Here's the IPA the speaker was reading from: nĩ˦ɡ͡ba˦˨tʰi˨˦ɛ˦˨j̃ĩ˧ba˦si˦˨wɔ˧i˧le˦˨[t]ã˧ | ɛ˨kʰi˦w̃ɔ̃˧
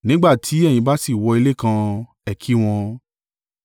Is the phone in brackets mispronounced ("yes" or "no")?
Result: yes